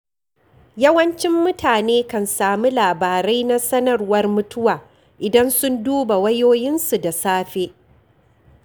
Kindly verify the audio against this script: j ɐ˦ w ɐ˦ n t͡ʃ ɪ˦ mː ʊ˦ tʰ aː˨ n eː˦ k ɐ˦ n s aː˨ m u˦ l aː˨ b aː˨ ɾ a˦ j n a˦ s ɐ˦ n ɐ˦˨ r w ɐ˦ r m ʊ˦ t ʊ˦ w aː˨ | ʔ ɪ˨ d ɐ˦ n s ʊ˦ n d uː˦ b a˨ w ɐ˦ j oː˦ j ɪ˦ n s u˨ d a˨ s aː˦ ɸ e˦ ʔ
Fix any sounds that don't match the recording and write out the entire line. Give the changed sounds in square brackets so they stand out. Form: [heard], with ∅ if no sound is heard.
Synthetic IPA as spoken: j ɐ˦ w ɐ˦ n t͡ʃ ɪ˦ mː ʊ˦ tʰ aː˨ n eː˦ k [ɐ˨] n s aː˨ m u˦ l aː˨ b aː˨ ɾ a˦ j n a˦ s ɐ˦ n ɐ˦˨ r w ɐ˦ r m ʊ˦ t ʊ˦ w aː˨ | ʔ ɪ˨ d ɐ˦ n s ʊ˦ n d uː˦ b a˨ w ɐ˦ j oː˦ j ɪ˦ n s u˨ d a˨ s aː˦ ɸ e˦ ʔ